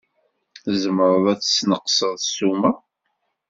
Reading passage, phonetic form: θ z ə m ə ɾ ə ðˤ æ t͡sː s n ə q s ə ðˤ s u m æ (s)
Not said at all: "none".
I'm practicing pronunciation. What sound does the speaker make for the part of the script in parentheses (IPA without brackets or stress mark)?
none